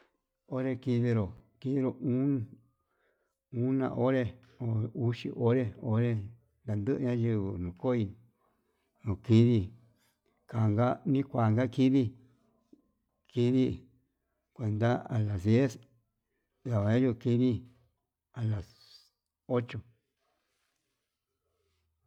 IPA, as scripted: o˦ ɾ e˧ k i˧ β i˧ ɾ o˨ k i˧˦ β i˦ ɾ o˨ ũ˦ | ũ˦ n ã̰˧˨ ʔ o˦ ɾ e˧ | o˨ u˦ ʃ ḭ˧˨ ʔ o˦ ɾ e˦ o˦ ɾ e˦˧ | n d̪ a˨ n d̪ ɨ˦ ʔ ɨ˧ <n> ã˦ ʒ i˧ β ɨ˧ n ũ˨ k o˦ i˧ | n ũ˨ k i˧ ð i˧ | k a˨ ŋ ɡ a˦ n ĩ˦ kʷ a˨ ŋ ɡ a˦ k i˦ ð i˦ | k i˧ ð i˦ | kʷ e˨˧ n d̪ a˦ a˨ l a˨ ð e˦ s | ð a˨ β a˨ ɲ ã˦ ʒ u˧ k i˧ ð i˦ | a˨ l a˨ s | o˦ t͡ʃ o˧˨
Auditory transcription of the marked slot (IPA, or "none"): ɲ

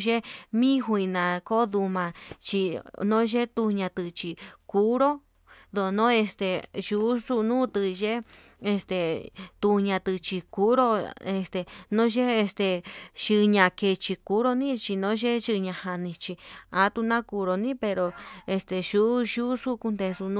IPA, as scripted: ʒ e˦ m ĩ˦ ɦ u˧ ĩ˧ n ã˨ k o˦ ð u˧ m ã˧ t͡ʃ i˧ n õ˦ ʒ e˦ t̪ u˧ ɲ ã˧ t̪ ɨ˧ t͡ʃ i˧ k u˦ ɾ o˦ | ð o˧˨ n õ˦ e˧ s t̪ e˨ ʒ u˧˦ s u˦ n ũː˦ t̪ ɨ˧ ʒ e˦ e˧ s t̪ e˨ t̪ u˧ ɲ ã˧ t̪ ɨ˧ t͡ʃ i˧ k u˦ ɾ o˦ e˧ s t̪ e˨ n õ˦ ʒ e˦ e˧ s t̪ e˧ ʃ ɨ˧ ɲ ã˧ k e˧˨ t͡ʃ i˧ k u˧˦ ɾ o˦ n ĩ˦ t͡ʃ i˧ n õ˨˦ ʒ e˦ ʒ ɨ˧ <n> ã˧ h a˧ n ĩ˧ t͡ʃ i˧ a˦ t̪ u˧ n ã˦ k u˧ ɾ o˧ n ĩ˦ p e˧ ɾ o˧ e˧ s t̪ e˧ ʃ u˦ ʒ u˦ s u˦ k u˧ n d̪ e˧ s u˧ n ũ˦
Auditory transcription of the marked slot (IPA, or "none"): ɲ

